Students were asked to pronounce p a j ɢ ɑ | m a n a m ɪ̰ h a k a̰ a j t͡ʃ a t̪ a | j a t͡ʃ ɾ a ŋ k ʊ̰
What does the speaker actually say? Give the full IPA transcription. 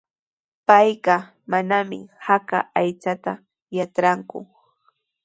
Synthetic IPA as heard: p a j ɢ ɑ | m a n a m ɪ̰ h a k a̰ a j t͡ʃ a t̪ a | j a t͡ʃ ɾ a ŋ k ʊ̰